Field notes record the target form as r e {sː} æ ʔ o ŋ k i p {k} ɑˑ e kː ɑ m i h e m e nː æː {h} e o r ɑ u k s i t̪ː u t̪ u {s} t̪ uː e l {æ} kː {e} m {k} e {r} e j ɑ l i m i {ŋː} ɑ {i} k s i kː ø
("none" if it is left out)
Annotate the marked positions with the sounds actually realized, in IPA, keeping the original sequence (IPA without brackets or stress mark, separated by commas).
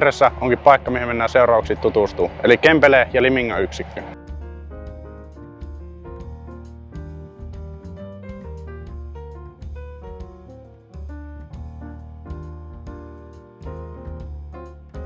sː, p, s, s, i, e, p, l, ŋː, y